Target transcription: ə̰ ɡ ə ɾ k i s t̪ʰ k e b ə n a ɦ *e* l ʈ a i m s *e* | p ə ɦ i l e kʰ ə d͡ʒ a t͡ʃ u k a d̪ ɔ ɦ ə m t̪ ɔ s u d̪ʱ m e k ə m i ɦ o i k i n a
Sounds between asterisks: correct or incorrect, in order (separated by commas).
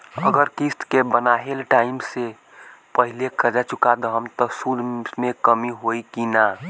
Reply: correct, correct